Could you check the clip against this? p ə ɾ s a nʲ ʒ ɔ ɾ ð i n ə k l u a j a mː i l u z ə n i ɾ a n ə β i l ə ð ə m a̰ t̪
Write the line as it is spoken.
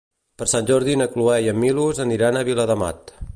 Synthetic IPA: p ə ɾ s a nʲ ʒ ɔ ɾ ð i n ə k l u ɛ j ə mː i l u z ə n i ɾ a n ə β i l ə ð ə m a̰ t̪